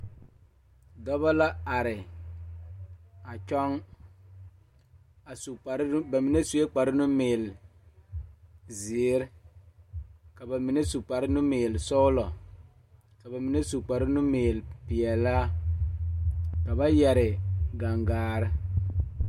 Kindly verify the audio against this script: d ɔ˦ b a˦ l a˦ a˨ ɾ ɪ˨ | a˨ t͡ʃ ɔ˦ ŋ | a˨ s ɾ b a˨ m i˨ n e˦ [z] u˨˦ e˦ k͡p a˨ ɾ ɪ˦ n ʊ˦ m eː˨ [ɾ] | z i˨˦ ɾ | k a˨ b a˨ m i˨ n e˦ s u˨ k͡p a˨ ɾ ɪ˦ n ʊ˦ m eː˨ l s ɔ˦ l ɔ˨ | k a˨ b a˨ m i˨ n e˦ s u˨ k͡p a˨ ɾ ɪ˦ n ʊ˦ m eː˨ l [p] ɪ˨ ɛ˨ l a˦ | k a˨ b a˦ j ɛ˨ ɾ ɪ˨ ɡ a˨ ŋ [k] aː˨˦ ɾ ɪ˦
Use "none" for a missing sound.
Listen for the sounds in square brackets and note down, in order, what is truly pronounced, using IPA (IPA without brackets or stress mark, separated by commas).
s, l, p, ɡ